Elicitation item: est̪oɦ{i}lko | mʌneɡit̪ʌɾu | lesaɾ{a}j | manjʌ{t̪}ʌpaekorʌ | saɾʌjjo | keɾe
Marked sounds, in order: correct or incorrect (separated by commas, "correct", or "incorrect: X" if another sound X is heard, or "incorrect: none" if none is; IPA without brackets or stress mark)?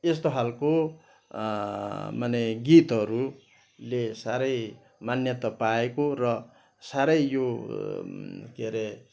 incorrect: a, incorrect: ʌ, correct